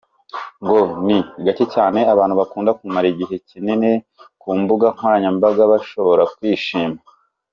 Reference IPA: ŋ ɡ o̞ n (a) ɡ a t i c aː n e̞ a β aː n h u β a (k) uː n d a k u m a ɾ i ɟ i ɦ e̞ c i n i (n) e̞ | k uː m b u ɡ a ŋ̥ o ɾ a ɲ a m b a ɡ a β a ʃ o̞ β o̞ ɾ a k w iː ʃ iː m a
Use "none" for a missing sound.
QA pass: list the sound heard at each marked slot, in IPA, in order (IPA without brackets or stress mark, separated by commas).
i, k, n